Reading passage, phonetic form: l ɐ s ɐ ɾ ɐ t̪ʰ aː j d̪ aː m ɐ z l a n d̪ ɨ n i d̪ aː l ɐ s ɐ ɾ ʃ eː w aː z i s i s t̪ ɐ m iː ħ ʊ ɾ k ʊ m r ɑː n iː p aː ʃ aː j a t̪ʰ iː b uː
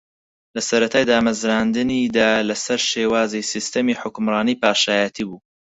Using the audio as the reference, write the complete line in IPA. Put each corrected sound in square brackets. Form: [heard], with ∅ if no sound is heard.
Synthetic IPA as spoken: l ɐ s ɐ ɾ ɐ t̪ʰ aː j d̪ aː m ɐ z [ɾ] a n d̪ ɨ n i d̪ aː l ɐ s ɐ ɾ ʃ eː w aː z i s i s t̪ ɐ m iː ħ ʊ [∅] k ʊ m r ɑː n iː p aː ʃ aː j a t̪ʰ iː b uː